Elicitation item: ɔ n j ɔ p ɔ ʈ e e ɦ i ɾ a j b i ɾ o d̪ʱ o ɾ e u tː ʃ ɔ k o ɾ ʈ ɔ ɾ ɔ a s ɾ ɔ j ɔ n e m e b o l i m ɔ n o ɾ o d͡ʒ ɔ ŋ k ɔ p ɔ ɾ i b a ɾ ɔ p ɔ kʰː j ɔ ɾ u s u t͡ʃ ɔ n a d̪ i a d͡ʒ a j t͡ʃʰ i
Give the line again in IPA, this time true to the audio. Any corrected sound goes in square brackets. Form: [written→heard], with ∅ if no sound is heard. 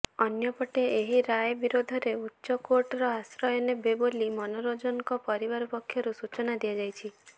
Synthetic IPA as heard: ɔ n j ɔ p ɔ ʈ e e ɦ i ɾ a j b i ɾ o d̪ʱ [o→ɔ] ɾ e u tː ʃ ɔ k o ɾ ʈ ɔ ɾ ɔ a s ɾ ɔ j ɔ n e [m→b] e b o l i m ɔ n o ɾ o d͡ʒ ɔ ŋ k ɔ p ɔ ɾ i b a ɾ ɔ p ɔ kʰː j ɔ ɾ u s u t͡ʃ ɔ n a d̪ i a d͡ʒ a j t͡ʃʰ i